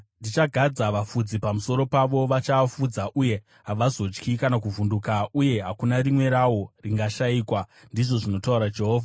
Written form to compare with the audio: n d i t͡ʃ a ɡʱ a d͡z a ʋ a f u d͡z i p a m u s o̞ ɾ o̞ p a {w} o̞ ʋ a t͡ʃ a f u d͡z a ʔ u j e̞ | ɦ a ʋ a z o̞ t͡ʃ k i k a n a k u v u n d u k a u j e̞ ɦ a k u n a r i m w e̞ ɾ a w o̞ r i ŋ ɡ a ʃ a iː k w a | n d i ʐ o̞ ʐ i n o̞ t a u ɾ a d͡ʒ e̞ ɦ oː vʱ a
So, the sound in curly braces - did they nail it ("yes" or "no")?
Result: no